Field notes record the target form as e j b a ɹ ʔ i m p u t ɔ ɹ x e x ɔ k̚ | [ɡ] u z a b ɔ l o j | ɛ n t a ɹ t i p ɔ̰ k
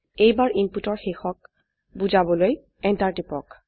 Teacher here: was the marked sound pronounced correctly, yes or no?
no